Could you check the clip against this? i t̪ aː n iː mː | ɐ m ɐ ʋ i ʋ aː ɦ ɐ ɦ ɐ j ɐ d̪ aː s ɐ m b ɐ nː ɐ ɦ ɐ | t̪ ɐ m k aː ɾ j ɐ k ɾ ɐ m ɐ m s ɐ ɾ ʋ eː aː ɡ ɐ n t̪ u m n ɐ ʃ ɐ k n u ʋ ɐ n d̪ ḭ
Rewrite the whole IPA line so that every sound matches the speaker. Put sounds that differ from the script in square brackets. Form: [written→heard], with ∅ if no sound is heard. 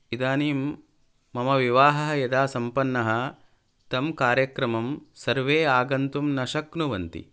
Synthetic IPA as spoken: i [t̪→d̪] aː n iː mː | ɐ m ɐ ʋ i ʋ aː ɦ ɐ ɦ ɐ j ɐ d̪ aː s ɐ m [b→p] ɐ nː ɐ ɦ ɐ | t̪ ɐ m k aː ɾ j ɐ k ɾ ɐ m ɐ m s ɐ ɾ ʋ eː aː ɡ ɐ n t̪ u m n ɐ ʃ ɐ k n u ʋ ɐ n [d̪→t̪] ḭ